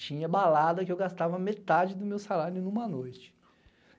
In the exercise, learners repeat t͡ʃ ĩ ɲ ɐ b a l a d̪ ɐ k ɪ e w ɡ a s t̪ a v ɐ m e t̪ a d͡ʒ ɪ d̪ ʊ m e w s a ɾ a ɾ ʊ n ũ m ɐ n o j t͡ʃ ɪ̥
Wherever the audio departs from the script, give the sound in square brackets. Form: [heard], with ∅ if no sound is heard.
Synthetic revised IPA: t͡ʃ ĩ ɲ ɐ b a l a d̪ ɐ k ɪ e w ɡ a s t̪ a v ɐ m e t̪ a d͡ʒ ɪ d̪ ʊ m e w s a [l] a ɾ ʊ n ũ m ɐ n o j t͡ʃ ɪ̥